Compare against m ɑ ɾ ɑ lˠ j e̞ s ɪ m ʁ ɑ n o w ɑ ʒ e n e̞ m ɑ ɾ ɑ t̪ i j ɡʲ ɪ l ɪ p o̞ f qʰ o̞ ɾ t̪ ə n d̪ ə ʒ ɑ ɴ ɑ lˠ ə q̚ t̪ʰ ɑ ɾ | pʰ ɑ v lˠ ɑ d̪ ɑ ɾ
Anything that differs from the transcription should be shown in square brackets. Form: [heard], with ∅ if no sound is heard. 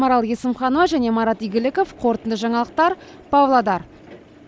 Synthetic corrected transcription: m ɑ ɾ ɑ lˠ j e̞ s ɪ m [χ] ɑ n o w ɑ ʒ [æ] n e̞ m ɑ ɾ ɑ t̪ i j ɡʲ ɪ l ɪ [k] o̞ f qʰ o̞ ɾ t̪ ə n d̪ ə ʒ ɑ ɴ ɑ lˠ ə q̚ [t̪] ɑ ɾ | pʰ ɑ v lˠ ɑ d̪ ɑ ɾ